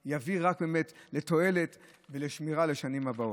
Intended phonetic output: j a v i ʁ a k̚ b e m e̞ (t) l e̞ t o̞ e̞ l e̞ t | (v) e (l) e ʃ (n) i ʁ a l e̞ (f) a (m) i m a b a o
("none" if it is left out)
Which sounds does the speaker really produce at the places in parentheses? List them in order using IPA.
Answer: t, v, l, m, ʃ, n

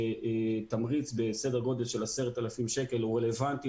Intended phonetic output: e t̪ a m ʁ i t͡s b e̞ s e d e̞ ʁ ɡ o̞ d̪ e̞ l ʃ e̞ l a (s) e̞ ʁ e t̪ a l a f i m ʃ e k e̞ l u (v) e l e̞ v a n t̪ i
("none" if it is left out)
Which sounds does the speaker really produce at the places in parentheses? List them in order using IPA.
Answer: s, ʁ

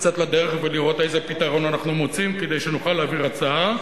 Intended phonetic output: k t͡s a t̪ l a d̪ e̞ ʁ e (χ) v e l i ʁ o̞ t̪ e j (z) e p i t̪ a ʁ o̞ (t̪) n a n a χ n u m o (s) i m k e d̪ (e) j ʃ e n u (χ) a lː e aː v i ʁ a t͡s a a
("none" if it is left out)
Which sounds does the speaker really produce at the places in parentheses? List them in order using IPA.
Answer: χ, z, none, t͡s, e, χ

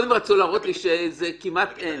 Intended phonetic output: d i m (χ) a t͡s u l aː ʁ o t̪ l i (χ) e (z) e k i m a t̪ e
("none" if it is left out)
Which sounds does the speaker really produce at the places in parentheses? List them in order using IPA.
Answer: ʁ, ʃ, z

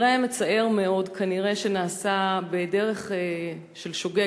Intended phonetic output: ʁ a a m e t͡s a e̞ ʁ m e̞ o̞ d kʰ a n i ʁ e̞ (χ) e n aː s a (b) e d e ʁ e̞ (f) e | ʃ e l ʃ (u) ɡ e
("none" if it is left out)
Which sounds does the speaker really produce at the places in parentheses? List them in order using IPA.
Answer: ʃ, b, χ, o

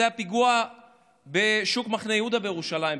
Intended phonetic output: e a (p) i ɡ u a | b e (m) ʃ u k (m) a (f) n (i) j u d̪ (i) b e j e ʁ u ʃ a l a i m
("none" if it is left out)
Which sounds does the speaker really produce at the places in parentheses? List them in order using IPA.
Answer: p, none, m, χ, e, a

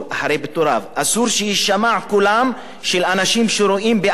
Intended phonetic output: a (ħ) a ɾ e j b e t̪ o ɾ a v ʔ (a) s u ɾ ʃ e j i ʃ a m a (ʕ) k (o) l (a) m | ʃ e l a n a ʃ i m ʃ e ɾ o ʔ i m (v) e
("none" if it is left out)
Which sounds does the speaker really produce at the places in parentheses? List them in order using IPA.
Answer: ħ, a, ʕ, u, a, b

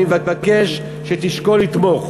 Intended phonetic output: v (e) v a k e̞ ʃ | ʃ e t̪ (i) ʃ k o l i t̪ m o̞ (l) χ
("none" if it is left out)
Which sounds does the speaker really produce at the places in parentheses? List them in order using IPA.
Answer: a, i, none

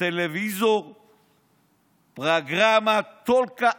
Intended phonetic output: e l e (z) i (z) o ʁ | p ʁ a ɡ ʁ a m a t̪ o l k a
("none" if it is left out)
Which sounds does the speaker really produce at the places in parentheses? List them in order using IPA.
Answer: v, z

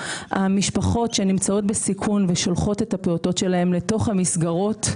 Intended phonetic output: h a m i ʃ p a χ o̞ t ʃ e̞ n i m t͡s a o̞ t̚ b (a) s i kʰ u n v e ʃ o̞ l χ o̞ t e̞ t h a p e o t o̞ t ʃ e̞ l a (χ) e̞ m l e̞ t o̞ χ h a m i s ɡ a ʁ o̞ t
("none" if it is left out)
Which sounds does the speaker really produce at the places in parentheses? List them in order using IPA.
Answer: e, none

